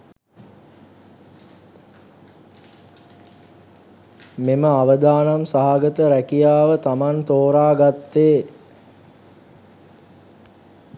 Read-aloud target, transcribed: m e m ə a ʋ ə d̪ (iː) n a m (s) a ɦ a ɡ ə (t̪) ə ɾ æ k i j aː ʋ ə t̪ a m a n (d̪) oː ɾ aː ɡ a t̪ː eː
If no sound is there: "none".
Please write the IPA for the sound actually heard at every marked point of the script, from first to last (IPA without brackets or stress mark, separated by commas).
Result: aː, s, t̪, t̪